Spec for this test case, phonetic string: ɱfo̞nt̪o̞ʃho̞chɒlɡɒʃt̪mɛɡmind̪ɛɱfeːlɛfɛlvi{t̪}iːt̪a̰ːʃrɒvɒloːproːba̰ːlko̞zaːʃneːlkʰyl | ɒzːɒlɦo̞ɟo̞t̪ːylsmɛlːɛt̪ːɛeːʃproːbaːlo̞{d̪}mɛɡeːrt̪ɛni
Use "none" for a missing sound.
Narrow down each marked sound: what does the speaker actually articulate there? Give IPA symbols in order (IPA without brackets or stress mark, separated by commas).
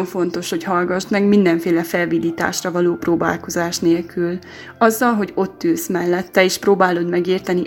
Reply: d̪, d̪